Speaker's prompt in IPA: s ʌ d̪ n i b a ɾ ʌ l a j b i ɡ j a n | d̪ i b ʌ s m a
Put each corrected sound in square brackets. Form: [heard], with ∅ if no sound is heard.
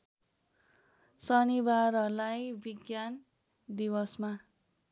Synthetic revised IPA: s ʌ [∅] n i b a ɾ ʌ l a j b i ɡ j a n | d̪ i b ʌ s m a